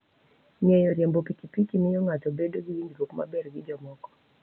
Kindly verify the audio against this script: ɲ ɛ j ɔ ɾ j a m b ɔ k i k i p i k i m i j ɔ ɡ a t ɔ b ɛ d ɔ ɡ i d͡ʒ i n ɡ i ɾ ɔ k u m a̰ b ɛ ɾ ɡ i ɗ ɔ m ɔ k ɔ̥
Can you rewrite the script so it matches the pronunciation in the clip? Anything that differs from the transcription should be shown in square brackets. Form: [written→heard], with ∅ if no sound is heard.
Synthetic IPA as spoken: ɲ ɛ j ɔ ɾ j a m b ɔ [k→p] i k i p i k i m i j ɔ [ɡ→ŋ] a t ɔ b ɛ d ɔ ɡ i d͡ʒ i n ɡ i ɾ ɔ k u m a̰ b ɛ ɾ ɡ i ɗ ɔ m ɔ k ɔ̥

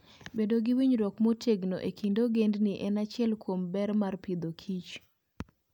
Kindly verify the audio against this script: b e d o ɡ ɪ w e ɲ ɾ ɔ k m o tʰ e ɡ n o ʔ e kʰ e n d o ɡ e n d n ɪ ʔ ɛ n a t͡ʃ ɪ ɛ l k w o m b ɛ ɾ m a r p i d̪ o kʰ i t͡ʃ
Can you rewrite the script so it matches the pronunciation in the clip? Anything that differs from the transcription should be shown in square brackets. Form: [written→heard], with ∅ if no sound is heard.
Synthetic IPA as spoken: b e d o ɡ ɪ w [e→i] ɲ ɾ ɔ k m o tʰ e ɡ n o ʔ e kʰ [e→i] n d o ɡ e n d n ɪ ʔ ɛ n a t͡ʃ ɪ ɛ l k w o m b ɛ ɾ m a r p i d̪ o kʰ i t͡ʃ

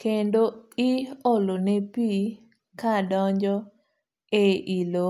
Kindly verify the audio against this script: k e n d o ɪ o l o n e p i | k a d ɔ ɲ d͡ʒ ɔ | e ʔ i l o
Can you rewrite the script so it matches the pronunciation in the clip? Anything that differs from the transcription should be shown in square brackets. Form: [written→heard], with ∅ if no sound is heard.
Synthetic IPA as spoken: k e n d o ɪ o l o n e p i | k a d ɔ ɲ d͡ʒ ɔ | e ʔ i l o

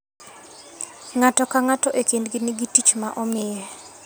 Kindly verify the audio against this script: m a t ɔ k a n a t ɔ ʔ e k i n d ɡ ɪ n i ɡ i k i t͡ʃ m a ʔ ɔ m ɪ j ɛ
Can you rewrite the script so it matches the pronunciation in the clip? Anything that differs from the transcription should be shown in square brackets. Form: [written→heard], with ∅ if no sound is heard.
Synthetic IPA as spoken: [m→ŋ] a t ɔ k a [n→ŋ] a t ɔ ʔ e k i n d ɡ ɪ n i ɡ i [k→t] i t͡ʃ m a ʔ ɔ m ɪ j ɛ

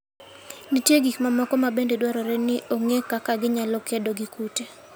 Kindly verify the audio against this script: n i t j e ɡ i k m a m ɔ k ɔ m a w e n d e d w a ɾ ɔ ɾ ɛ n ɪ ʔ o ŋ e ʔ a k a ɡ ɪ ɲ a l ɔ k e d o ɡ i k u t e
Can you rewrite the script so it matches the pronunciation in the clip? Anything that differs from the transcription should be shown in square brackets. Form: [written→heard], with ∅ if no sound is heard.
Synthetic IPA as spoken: n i t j e ɡ i k m a m ɔ k ɔ m a [w→b] e n d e d w a ɾ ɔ ɾ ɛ n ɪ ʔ o ŋ e [ʔ→k] a k a ɡ ɪ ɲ a l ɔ k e d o ɡ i k u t e

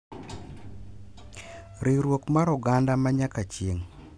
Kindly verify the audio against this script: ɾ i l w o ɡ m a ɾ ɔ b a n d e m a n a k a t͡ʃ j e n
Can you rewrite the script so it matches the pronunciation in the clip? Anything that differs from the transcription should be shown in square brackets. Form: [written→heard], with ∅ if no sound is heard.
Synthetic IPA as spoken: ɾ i [l→ɾ] w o [ɡ→k] m a ɾ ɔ [b→ɡ] a n d [e→a] m a [n→ɲ] a k a t͡ʃ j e [n→ŋ]

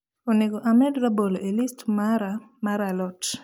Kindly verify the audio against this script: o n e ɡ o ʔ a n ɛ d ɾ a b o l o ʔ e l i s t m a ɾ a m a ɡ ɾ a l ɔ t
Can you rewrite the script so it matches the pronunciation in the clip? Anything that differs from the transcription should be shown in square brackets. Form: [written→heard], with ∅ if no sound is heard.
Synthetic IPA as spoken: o n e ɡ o ʔ a [n→m] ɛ d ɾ a b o l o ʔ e l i s t m a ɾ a m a [ɡ→∅] ɾ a l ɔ t

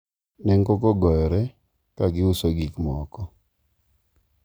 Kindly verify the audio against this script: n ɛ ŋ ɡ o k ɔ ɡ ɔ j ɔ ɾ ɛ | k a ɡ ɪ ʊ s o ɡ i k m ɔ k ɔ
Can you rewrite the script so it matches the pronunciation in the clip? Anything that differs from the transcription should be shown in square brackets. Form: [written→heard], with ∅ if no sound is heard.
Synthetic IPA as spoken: n ɛ ŋ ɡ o k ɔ ɡ ɔ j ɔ ɾ ɛ | k a ɡ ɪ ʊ s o ɡ i k m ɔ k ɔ

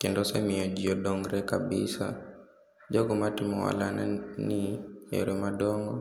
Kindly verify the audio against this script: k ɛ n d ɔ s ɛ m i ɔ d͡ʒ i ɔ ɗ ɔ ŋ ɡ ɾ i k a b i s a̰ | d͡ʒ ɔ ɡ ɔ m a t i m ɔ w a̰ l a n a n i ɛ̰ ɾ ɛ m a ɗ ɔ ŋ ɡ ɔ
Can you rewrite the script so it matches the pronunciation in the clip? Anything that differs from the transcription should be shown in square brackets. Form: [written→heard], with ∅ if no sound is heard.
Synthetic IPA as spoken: k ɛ n d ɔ s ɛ m i ɔ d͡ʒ i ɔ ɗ ɔ ŋ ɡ ɾ [i→ɛ] k a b i s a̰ | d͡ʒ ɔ ɡ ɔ m a t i m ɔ w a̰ l a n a n i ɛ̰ ɾ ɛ m a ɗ ɔ ŋ ɡ ɔ

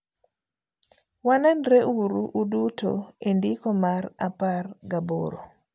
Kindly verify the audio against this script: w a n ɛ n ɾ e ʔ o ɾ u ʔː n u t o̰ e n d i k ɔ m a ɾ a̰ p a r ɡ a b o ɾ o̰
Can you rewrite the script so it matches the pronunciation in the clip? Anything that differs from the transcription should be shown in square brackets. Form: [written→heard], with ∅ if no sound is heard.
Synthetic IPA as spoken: w a n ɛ n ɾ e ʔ [o→u] ɾ u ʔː [n→d] u t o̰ e n d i k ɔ m a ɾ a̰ p a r ɡ a b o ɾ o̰

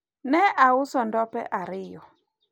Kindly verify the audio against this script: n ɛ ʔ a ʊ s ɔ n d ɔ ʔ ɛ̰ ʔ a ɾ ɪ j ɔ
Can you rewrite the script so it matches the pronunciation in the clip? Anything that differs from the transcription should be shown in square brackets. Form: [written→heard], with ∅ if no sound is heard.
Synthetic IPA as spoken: n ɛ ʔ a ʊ s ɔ n d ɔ [ʔ→p] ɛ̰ ʔ a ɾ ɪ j ɔ

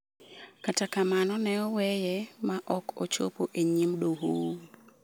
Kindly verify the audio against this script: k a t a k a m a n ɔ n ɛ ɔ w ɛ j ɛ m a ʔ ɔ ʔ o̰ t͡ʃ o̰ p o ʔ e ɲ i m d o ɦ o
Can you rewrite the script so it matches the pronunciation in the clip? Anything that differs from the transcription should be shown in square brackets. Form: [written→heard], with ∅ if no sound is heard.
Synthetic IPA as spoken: k a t a k a m a n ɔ n ɛ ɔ w ɛ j ɛ m a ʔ ɔ [ʔ→k] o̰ t͡ʃ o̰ p o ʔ e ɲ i m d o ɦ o

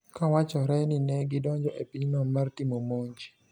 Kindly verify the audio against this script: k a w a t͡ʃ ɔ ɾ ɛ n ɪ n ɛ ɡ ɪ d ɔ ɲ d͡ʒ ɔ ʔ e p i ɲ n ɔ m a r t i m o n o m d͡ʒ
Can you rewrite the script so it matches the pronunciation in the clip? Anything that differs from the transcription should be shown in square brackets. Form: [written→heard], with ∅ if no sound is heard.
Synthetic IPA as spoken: k a w a t͡ʃ ɔ ɾ ɛ n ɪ n ɛ ɡ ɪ d ɔ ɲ d͡ʒ ɔ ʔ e p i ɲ n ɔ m a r t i m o [n→m] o [m→ɲ] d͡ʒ

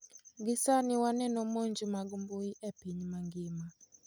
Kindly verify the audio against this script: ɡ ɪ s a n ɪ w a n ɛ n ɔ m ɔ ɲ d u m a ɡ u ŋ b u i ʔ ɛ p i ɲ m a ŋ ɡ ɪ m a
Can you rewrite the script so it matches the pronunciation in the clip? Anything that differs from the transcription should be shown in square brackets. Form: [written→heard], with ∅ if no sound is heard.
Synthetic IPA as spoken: ɡ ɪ s a n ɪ w a n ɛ n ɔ m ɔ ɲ [d→d͡ʒ] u m a ɡ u [ŋ→m] b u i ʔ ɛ p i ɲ m a ŋ ɡ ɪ m a

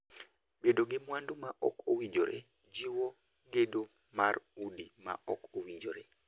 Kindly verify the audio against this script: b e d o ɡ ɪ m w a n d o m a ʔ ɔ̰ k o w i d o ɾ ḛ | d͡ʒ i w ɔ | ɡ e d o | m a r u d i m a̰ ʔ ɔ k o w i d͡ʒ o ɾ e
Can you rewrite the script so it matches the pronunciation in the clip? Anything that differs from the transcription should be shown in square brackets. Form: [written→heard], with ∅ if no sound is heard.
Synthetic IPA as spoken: b e d o ɡ ɪ m w a n d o m a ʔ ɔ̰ k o w i [d→d͡ʒ] o ɾ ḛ | d͡ʒ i w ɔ | ɡ e d o | m a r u d i m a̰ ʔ ɔ k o w i d͡ʒ o ɾ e

